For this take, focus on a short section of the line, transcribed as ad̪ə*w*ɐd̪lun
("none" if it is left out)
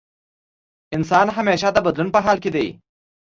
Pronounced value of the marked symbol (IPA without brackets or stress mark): b